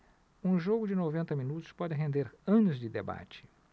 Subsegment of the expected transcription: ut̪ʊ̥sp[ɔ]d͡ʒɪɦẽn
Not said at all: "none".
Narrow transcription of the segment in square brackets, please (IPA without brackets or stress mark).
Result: ɔ